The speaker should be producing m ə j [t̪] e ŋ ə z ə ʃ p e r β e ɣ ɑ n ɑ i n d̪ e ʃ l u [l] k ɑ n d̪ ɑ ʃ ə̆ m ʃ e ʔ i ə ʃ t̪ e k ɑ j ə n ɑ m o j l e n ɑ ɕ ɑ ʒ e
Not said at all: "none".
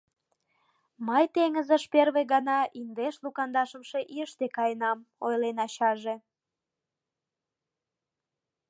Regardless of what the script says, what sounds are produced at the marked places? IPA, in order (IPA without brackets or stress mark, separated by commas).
t̪, none